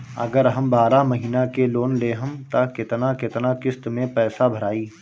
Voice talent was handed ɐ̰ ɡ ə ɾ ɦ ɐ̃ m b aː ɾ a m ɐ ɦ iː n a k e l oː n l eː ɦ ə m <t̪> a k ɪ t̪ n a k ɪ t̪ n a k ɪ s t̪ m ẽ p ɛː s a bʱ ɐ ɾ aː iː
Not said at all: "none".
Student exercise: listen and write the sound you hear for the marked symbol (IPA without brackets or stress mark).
t̪